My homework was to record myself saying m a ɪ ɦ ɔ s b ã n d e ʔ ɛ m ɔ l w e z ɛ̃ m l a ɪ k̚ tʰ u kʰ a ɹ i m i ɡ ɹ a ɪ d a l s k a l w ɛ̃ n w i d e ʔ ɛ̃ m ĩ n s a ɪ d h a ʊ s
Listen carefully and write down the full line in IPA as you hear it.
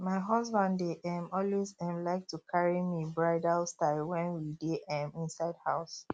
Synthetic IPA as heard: m a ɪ ɦ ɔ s b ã n d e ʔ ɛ m ɔ l w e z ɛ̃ m l a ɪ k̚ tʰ u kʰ a ɹ i m i b ɹ a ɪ d a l s t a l w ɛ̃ n w i d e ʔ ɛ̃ m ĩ n s a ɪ d h a ʊ s

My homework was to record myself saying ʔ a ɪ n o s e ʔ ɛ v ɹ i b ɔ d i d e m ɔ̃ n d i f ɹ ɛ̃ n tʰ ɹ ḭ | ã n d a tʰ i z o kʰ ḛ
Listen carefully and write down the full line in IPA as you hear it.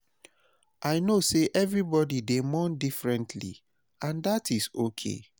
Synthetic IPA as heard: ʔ a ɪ n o s e ʔ ɛ v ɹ i b ɔ d i d e m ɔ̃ n d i f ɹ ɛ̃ n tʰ l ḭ | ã n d a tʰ i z o kʰ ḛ

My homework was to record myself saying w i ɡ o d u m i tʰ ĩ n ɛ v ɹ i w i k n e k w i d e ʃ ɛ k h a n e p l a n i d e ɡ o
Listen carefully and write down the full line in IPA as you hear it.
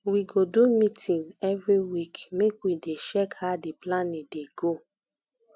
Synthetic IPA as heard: w i ɡ o d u m i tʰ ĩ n ɛ v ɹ i w i k m e k w i d e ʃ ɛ k h a d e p l a n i d e ɡ o

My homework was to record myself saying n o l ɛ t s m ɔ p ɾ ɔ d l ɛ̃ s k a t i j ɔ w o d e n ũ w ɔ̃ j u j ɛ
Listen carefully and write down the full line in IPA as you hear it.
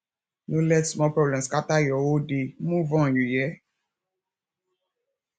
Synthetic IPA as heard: n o l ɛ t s m ɔ p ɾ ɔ b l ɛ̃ s k a t a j ɔ w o d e m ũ v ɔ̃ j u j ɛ

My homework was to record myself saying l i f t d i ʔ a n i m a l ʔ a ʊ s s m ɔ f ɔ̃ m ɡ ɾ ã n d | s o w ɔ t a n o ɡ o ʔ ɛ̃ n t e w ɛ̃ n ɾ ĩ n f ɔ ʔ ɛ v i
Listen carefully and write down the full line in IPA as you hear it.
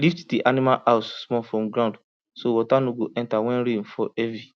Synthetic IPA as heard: l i f t d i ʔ a n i m a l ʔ a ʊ s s m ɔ f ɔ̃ m ɡ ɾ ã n d | s o w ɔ t a n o ɡ o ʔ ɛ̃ n t a w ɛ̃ n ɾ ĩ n f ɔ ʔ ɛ v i

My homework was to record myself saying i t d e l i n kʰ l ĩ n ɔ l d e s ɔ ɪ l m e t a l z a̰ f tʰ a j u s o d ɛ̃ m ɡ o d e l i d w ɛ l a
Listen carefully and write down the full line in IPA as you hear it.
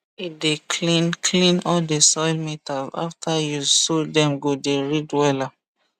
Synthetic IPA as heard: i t d e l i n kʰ l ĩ n ɔ l d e s ɔ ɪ l m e t a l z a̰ f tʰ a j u s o d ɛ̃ m ɡ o d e ɹ i d w ɛ l a

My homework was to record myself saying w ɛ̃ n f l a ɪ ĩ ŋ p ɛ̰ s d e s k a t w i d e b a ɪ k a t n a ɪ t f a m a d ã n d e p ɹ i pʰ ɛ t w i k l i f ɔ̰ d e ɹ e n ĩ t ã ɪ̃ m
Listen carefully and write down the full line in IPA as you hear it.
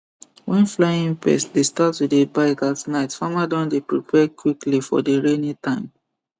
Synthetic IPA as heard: w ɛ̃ n f l a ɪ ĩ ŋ p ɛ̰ s d e s t a t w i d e b a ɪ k a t n a ɪ t f a m a d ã n d e p ɹ i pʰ ɛ k w i k l i f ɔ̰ d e ɹ e n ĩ t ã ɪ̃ m

